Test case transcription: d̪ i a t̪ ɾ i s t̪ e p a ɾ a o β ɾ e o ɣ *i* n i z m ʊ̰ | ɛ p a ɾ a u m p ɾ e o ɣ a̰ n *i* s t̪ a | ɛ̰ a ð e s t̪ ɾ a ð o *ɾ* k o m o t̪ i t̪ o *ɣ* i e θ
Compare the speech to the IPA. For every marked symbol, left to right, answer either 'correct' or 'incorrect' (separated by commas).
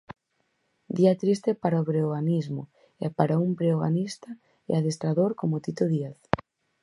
incorrect, correct, correct, incorrect